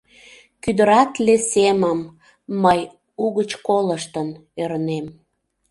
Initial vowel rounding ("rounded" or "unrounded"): rounded